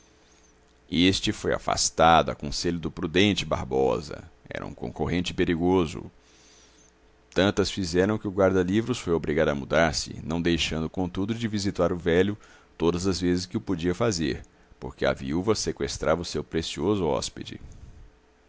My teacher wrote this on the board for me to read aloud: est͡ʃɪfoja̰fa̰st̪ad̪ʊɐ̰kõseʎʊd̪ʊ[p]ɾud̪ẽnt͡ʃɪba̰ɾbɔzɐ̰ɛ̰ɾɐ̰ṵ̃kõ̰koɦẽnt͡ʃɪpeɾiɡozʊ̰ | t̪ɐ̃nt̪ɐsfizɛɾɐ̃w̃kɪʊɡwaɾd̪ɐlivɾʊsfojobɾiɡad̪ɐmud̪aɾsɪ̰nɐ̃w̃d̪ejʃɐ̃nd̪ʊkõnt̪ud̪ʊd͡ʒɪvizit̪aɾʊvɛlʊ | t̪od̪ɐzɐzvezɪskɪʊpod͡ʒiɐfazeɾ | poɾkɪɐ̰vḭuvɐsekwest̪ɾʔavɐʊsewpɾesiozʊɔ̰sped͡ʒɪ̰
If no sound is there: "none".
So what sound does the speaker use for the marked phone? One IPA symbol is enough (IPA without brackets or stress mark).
p